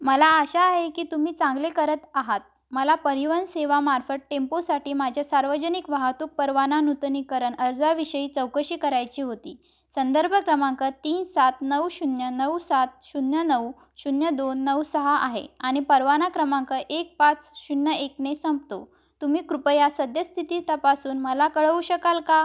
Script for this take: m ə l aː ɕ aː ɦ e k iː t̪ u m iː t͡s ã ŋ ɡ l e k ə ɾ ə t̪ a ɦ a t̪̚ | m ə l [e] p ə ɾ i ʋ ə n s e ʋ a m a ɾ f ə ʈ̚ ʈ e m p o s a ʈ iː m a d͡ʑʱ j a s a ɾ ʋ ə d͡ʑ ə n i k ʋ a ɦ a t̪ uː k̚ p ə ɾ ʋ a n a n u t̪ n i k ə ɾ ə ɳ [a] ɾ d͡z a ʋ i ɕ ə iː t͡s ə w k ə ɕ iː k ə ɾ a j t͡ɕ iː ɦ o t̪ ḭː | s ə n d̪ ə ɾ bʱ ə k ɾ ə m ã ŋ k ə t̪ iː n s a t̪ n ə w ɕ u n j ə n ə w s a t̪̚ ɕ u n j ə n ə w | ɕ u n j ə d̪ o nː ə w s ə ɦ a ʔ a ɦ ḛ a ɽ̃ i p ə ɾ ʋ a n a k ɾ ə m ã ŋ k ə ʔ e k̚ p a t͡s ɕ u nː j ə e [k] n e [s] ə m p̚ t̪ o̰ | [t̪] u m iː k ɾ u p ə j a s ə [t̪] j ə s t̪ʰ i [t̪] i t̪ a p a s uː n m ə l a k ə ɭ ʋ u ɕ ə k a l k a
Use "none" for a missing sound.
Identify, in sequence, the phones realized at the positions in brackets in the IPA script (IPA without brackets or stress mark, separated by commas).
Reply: a, ə, k, s, t̪, d̪, t̪